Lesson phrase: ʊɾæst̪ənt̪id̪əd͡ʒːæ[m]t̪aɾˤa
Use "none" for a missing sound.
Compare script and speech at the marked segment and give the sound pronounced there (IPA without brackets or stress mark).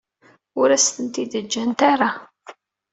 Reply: n